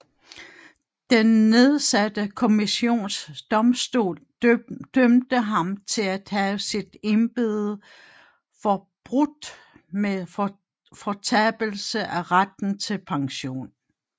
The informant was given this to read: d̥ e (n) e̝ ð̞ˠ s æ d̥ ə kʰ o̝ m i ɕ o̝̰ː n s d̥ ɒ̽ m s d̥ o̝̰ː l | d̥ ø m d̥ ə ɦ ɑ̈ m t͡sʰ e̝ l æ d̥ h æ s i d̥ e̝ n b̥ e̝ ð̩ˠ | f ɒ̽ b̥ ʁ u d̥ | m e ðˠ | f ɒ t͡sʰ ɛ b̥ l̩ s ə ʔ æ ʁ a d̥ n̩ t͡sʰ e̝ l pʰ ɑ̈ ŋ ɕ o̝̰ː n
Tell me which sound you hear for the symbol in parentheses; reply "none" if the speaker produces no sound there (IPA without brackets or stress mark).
nː